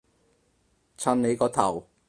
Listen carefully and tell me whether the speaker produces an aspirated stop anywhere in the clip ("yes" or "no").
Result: yes